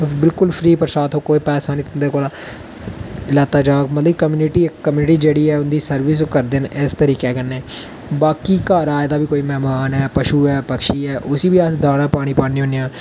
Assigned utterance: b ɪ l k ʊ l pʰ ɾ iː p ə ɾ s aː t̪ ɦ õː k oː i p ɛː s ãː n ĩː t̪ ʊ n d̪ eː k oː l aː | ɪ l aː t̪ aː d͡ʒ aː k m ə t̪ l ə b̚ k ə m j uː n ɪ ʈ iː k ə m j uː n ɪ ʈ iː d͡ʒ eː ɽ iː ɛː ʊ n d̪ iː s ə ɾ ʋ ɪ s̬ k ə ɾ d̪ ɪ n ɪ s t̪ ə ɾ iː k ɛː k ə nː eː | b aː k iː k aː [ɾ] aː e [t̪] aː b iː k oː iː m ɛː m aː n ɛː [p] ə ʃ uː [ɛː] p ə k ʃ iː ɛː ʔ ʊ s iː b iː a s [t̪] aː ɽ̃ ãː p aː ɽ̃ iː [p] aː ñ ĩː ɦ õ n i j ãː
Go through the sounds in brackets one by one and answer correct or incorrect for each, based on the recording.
correct, incorrect, correct, correct, incorrect, correct

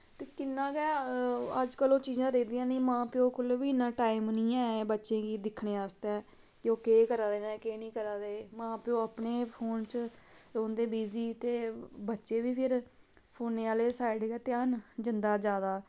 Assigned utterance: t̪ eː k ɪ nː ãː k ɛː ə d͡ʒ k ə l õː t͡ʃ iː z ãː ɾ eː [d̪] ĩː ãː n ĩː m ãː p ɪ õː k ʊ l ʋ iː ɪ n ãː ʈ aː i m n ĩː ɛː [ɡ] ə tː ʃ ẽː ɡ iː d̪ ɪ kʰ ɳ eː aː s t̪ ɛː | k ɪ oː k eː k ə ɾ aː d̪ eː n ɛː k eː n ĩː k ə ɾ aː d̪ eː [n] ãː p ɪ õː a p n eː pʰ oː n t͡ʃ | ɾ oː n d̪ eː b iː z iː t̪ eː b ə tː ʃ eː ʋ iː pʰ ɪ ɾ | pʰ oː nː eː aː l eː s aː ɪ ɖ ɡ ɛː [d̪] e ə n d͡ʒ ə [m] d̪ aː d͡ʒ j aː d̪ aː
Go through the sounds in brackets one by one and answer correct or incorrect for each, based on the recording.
correct, incorrect, incorrect, incorrect, incorrect

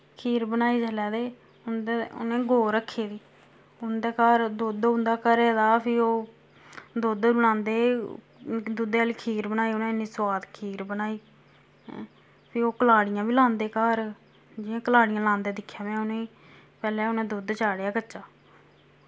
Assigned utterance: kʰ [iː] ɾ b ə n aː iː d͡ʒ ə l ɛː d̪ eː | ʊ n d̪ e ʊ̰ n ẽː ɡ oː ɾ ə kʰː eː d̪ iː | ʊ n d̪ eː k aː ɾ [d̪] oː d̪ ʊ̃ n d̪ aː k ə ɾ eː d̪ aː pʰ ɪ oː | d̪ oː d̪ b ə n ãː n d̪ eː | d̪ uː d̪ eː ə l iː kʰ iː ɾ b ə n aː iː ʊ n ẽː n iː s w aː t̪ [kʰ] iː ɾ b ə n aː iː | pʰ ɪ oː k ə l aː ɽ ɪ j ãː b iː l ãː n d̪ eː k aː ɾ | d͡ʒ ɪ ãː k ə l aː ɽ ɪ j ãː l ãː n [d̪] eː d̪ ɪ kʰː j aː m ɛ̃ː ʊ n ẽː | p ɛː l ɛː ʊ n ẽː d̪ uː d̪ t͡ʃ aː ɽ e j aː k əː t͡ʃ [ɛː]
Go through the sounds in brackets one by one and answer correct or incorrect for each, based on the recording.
correct, correct, correct, correct, incorrect

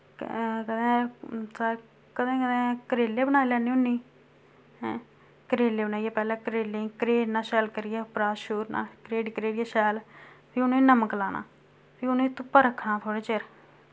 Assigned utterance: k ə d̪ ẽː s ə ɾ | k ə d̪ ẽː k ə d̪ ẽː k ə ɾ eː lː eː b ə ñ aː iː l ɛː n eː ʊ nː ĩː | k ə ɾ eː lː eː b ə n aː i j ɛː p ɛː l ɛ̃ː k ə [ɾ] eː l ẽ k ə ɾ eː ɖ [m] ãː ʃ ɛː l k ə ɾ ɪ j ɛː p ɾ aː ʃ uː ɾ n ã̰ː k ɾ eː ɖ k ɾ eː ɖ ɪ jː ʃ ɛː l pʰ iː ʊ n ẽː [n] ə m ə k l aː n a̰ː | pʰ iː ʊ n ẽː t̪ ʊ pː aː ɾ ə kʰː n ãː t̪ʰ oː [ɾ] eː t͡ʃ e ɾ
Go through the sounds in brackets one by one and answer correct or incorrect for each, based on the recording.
correct, incorrect, correct, incorrect

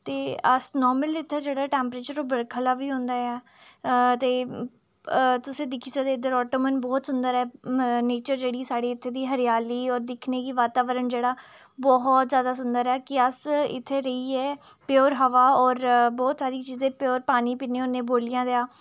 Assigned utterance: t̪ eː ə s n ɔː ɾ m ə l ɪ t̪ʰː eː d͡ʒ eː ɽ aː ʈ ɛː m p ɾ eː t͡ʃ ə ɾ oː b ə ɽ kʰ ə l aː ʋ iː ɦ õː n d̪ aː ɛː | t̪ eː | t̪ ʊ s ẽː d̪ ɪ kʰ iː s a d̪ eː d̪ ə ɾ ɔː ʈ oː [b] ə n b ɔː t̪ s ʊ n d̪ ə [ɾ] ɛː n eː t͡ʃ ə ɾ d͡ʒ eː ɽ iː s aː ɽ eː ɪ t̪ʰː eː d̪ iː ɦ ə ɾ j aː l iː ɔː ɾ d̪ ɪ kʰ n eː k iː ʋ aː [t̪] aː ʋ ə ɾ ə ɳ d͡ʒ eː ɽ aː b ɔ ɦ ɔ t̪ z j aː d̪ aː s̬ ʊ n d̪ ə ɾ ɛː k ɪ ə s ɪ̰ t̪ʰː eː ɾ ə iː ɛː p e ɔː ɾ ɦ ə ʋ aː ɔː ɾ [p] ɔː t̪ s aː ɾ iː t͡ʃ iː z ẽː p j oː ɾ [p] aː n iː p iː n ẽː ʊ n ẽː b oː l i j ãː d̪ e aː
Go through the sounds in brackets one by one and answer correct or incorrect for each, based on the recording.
incorrect, correct, correct, incorrect, correct

